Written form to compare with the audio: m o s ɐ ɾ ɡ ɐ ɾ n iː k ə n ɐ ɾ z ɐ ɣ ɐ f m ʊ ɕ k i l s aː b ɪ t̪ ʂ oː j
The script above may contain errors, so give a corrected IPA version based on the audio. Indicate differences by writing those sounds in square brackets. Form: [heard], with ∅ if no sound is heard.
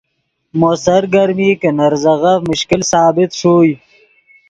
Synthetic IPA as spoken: m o s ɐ ɾ ɡ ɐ ɾ [m] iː k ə n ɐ ɾ z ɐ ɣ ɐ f m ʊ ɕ k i l s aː b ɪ t̪ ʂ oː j